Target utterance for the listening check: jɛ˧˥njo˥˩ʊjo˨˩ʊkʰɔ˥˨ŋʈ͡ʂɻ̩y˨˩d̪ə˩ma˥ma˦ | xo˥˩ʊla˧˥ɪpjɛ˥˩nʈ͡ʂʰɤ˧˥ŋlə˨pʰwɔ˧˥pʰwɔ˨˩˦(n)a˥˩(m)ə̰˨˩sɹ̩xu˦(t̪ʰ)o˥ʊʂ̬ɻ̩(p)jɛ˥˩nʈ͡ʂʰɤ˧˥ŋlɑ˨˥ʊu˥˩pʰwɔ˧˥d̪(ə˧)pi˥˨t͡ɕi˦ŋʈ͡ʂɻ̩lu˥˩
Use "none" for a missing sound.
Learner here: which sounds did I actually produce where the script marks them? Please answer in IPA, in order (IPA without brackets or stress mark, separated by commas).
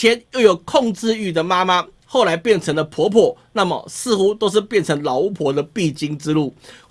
n, m, t̪, p, ə˧